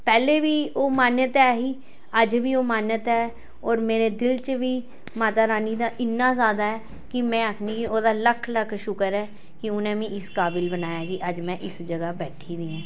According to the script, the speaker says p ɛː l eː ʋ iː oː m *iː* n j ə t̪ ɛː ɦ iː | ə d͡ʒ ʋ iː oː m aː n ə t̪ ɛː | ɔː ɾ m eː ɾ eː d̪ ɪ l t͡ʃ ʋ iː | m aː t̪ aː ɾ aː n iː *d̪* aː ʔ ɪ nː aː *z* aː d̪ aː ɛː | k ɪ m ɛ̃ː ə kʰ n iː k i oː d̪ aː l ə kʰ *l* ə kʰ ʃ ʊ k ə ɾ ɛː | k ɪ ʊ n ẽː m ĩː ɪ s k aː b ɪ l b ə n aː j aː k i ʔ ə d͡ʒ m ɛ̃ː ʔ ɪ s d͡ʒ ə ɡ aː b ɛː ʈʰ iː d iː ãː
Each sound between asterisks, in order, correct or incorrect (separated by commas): incorrect, correct, correct, correct